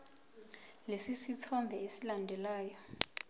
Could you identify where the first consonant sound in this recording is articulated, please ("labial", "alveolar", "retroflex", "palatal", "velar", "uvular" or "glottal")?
alveolar